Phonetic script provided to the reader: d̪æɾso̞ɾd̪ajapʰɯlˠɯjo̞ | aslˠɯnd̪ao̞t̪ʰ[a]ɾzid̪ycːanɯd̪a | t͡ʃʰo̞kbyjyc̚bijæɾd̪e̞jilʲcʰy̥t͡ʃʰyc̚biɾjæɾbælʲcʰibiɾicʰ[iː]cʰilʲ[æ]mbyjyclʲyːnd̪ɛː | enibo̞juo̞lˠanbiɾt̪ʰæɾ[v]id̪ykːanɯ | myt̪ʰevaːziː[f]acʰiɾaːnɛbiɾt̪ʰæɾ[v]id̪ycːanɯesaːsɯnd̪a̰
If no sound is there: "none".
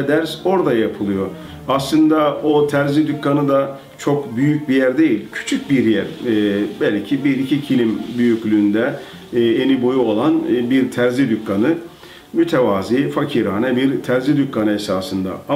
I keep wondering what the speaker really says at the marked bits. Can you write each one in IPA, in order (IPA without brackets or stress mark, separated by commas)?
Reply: æ, i, i, z, f, z